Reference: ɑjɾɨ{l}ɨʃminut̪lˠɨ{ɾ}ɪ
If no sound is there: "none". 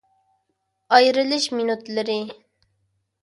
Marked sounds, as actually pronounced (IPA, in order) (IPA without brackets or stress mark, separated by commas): l, ɾ